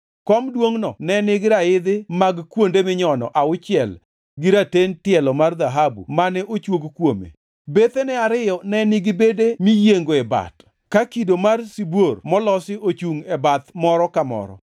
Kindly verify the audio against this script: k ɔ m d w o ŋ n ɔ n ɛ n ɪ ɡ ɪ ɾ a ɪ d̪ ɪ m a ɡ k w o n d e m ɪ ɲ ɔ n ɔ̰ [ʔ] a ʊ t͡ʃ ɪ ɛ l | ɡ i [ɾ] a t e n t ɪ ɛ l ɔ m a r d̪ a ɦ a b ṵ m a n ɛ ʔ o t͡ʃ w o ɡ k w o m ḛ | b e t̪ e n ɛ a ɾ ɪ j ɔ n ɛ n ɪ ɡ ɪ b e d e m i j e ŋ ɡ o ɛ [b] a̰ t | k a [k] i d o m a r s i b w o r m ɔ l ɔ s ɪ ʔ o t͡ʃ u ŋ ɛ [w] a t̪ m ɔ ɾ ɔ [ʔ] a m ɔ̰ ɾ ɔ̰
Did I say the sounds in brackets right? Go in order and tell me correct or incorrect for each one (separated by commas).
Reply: correct, correct, correct, correct, incorrect, incorrect